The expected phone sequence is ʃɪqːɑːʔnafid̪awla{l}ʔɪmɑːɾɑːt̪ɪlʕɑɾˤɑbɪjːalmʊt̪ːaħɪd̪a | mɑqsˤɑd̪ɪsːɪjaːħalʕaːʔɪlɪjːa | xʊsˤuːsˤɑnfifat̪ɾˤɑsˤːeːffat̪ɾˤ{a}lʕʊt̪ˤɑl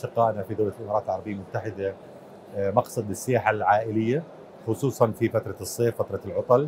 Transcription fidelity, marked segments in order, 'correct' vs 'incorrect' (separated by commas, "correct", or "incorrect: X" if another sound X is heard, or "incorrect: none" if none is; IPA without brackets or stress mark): correct, incorrect: ɑ